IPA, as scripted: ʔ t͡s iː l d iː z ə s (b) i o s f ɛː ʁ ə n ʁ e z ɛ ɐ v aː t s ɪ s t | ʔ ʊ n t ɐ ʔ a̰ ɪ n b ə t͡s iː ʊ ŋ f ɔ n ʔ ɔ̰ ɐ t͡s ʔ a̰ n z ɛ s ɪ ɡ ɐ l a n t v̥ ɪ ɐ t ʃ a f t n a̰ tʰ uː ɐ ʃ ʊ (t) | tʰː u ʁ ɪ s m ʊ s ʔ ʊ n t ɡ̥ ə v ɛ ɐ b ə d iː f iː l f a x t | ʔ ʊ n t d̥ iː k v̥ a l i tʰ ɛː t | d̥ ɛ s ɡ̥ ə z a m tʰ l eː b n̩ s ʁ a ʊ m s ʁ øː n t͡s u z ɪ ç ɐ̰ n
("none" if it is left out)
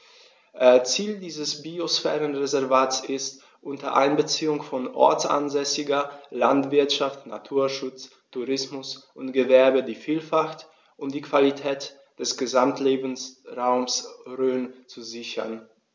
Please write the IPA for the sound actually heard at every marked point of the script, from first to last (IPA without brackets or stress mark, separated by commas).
b, t͡s